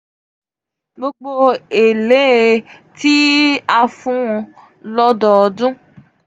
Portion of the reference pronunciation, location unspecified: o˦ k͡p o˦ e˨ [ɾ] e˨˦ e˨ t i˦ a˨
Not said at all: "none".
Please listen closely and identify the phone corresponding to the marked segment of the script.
l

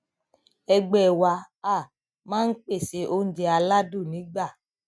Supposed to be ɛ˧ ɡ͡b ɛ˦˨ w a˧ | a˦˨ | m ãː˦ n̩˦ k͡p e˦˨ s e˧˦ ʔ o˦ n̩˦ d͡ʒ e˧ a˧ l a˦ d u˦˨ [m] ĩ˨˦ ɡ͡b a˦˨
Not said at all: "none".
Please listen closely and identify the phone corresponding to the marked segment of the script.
n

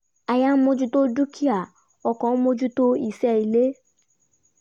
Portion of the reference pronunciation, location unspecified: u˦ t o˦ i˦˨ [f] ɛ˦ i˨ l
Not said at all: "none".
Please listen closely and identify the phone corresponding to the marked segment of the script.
s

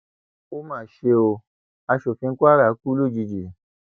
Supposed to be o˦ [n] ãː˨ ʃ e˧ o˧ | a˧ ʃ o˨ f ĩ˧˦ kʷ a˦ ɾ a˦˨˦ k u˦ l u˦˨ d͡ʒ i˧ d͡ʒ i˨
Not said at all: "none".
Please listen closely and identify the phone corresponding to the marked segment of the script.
m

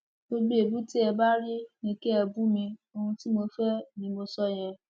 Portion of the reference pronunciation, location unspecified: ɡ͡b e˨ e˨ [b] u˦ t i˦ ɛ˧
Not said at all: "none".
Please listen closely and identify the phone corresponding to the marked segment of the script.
b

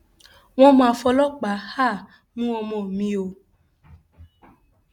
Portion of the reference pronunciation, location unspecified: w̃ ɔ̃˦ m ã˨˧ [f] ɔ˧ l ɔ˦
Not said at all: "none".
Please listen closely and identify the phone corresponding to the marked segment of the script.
f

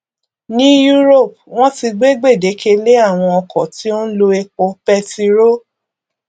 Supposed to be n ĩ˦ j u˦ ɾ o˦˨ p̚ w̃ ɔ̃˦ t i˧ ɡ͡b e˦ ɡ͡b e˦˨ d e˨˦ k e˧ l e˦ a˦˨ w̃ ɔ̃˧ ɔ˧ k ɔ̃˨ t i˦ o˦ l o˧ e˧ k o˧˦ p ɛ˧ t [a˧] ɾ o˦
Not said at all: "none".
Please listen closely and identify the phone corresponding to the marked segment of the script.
i˧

